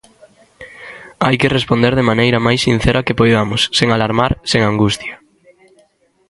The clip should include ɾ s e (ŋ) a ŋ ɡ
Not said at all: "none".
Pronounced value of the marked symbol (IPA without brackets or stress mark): ŋ